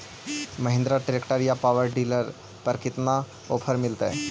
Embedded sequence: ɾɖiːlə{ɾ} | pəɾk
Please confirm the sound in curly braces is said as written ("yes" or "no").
yes